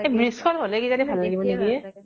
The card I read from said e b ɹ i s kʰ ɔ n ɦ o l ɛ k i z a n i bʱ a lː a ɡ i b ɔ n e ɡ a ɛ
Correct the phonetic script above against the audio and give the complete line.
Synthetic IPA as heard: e b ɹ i s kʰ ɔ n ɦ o l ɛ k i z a n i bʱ a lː a ɡ i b ɔ n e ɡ i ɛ